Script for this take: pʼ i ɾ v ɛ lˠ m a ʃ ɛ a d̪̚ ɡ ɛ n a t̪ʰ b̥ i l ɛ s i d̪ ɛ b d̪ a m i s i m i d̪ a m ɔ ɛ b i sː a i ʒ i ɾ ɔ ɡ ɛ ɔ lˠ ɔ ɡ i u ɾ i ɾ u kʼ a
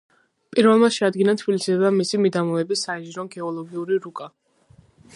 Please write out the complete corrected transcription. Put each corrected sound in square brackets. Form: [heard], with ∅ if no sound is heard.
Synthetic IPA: pʼ i ɾ v ɛ lˠ m a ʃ ɛ a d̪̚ ɡ [i] n a t̪ʰ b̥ i l [i] s i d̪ ɛ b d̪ a m i s i m i d̪ a m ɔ ɛ b i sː a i ʒ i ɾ ɔ ɡ ɛ ɔ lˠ ɔ ɡ i u ɾ i ɾ u kʼ a